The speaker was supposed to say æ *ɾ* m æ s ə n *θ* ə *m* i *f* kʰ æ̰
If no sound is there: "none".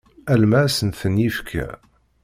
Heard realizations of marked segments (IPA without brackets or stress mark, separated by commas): l, θ, n, f